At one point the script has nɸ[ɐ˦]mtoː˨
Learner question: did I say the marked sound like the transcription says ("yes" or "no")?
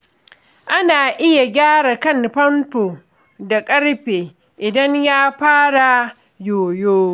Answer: yes